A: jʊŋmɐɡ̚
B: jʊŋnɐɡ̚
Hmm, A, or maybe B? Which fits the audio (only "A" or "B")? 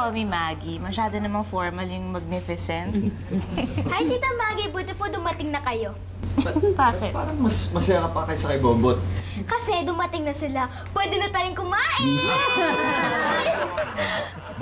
A